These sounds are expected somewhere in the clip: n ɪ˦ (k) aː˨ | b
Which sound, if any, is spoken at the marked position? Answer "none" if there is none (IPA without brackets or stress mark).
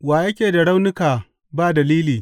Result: k